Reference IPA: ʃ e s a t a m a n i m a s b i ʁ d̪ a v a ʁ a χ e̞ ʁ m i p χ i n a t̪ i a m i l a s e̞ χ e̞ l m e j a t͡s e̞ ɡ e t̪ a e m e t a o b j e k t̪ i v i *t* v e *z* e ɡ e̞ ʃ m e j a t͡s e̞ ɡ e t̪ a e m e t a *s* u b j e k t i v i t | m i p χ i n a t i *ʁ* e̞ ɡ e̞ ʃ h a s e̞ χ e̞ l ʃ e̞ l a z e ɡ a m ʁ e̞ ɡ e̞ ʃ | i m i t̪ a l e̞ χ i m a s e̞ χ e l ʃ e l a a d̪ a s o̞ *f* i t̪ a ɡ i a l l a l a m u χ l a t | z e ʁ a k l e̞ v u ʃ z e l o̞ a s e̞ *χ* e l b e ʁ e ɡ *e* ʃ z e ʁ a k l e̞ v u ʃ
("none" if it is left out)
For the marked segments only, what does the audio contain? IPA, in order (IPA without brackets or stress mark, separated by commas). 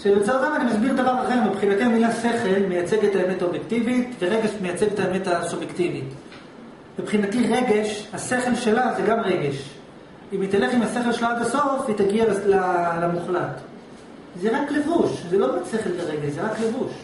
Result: t, ʁ, s, ʁ, f, χ, e